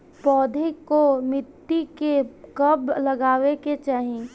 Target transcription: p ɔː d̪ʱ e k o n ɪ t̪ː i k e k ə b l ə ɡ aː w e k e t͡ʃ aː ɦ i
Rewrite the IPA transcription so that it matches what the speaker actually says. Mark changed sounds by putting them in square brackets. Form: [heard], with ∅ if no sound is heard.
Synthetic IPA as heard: p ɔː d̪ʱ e k o [m] ɪ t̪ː i k e k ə b l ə ɡ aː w e k e t͡ʃ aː ɦ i